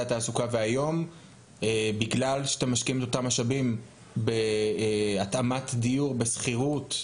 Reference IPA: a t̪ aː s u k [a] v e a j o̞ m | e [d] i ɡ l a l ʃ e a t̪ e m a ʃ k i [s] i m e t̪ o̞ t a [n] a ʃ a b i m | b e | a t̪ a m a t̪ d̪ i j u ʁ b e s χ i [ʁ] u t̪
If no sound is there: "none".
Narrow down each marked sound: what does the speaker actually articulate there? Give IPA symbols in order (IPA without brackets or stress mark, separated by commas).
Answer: a, b, none, m, ʁ